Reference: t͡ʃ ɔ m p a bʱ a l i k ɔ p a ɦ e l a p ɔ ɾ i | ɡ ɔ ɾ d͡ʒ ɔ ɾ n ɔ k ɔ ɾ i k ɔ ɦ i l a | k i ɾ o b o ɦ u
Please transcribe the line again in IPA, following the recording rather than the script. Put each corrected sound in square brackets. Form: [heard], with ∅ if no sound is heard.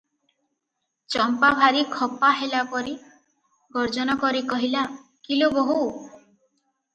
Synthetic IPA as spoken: t͡ʃ ɔ m p a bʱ a [ɾ] i [kʰ] ɔ p a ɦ e l a p ɔ ɾ i | ɡ ɔ ɾ d͡ʒ ɔ [∅] n ɔ k ɔ ɾ i k ɔ ɦ i l a | k i [l] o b o ɦ u

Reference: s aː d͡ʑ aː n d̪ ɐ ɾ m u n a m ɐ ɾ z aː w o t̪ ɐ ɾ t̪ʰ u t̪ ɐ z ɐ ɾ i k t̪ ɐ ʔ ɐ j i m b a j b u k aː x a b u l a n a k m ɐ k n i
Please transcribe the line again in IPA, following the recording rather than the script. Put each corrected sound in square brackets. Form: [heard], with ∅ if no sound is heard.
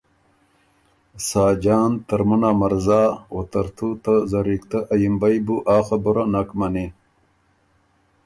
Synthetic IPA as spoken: s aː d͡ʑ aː n [t̪] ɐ ɾ m u n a m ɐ ɾ z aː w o t̪ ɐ ɾ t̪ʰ u t̪ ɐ z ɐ ɾ i k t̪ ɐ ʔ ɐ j i m b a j b u [ʔ] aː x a b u [ɾ] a n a k m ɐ [∅] n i

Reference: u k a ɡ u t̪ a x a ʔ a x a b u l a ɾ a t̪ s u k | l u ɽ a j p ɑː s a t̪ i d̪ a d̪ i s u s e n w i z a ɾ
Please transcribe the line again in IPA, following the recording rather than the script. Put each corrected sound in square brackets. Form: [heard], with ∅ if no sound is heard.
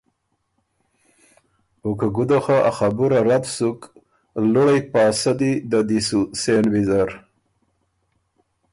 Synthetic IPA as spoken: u k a ɡ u [d̪] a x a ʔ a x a b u [ɾ] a ɾ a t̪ s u k | l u ɽ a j p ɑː s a [d̪] i d̪ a d̪ i s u s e n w i z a ɾ

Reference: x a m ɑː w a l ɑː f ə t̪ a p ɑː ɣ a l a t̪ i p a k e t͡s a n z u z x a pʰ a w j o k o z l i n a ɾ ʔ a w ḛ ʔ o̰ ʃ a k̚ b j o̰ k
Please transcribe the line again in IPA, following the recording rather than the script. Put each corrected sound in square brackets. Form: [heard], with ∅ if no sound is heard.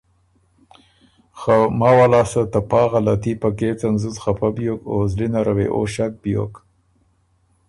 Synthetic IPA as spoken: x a m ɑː w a l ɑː [s] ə t̪ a p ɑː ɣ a l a t̪ i p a k e t͡s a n z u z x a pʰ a [b] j o k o z l i n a ɾ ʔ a w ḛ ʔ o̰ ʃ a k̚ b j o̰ k

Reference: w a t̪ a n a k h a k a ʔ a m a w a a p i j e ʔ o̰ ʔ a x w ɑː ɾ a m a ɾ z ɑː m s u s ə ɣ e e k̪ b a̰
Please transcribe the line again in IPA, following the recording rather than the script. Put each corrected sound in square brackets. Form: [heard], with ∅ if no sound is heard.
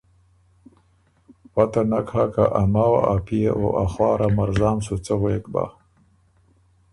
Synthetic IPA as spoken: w a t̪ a n a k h a k a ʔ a m a w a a p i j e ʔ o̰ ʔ a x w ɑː ɾ a m a ɾ z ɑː m s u [t͡s] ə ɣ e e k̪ b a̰

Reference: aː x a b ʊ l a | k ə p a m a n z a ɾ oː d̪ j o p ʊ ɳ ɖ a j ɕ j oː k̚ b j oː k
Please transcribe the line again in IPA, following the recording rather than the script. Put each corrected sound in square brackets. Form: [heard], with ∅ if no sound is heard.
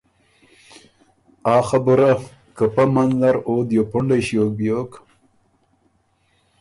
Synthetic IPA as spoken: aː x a b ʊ [ɾ] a | k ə p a m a n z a ɾ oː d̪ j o p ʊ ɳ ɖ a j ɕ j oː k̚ b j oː k

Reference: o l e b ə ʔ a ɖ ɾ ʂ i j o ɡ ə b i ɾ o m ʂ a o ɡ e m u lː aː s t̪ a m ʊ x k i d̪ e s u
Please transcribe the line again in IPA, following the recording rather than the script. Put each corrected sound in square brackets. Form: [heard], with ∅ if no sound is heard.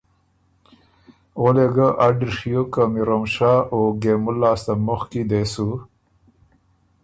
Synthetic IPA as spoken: o l e [ɡ] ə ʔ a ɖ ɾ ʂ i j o [k] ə [m] i ɾ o m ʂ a o ɡ e m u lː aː s t̪ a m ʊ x k i d̪ e s u

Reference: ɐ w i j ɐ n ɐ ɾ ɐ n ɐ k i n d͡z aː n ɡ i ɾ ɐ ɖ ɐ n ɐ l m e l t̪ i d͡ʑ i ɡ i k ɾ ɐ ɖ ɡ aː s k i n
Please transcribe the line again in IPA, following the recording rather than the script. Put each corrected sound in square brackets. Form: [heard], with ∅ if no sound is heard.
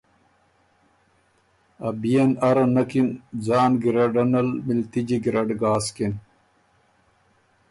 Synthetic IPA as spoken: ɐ [b] i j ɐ n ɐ ɾ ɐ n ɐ k i n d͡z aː n ɡ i ɾ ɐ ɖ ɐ n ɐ l m [i] l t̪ i d͡ʑ i ɡ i [∅] ɾ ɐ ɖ ɡ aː s k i n

